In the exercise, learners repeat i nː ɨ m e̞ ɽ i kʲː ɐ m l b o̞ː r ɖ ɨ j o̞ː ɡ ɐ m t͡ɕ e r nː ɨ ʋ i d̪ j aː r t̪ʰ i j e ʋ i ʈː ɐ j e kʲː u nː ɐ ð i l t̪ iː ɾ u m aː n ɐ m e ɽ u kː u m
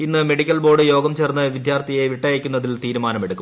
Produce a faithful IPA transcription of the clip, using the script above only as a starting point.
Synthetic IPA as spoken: i nː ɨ m e̞ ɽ i kʲː ɐ l b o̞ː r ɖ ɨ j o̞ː ɡ ɐ m t͡ɕ e r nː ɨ ʋ i d̪ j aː r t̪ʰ i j e ʋ i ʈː ɐ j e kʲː u nː ɐ ð i l t̪ iː ɾ u m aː n ɐ m e ɽ u kː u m